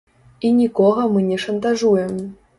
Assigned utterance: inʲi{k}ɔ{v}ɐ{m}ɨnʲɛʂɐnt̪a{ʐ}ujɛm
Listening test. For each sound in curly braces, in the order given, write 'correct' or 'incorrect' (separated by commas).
correct, incorrect, correct, correct